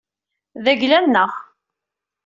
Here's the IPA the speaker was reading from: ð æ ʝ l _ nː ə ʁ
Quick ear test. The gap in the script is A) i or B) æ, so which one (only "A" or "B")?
B